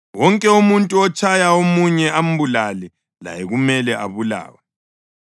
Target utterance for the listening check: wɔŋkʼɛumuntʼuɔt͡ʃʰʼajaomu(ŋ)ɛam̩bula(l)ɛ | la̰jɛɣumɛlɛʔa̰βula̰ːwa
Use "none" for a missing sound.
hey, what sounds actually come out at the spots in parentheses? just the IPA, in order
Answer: ɲ, l

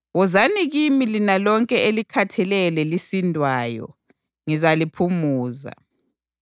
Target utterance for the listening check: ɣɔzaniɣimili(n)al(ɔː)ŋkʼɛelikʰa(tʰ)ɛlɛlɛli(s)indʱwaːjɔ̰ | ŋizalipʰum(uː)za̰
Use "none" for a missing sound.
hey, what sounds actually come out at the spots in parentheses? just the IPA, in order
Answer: n, ɔ, tʰ, s, uː

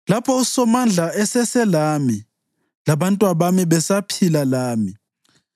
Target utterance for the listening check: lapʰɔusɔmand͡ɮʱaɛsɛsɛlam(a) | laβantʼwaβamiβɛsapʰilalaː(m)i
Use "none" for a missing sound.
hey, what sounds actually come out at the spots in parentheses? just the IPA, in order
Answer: i, m

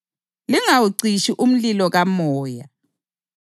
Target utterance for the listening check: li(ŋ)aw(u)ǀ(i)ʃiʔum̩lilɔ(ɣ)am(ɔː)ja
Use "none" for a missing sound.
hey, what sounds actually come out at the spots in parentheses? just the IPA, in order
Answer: ŋ, u, i, ɣ, ɔː

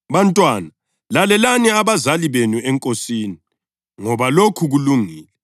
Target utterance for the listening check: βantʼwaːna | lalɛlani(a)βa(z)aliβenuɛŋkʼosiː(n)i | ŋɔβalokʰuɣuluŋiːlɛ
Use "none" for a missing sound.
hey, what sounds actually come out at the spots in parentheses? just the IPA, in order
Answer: a, z, n

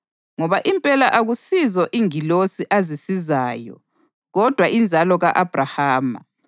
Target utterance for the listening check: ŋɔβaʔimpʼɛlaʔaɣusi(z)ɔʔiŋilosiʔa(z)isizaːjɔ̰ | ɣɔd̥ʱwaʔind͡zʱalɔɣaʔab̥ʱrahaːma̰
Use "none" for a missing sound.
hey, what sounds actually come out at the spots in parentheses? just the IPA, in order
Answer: z, z

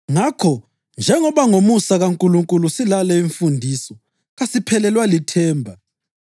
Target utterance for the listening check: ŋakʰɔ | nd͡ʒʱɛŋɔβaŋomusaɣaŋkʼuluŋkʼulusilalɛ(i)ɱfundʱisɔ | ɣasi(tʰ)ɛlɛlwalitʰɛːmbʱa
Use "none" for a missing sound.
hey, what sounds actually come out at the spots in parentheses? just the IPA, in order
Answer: i, pʰ

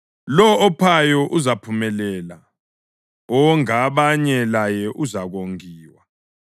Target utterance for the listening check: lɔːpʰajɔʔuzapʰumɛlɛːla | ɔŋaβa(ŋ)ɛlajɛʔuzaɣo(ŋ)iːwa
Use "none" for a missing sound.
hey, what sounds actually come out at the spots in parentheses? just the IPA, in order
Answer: ɲ, ŋ

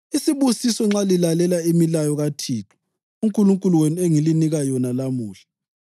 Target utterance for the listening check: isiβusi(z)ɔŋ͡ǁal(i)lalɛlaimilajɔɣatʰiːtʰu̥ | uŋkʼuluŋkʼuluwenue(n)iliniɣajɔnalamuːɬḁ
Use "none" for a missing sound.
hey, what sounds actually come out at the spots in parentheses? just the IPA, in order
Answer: s, i, ŋ

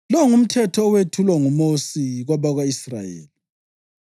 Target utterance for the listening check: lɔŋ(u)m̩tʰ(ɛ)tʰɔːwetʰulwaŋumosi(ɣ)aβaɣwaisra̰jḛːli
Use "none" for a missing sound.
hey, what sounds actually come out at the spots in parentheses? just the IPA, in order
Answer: u, ɛ, ɣ

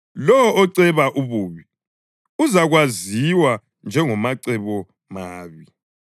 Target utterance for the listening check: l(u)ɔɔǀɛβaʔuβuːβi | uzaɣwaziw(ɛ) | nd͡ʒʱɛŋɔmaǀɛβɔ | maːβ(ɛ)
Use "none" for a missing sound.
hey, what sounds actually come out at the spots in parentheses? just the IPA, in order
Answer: ɔ, a, i

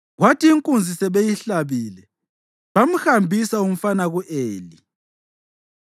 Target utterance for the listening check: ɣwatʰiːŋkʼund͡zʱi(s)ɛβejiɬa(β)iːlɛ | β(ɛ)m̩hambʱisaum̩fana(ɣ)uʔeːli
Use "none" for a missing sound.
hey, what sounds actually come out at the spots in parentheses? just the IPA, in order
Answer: s, β, a, ɣ

